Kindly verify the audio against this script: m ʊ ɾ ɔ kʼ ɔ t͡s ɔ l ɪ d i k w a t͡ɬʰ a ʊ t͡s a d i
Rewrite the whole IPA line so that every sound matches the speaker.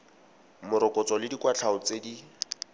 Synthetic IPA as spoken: m ʊ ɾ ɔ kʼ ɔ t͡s ɔ l ɪ d i k w a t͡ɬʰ a ʊ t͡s e d i